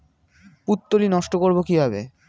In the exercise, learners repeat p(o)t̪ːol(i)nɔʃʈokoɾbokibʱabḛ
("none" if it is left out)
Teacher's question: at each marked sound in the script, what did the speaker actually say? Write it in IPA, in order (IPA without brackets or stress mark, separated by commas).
u, i